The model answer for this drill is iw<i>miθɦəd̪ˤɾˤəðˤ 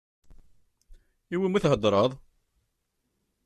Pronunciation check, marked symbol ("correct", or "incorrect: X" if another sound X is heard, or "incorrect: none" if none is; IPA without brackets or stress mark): correct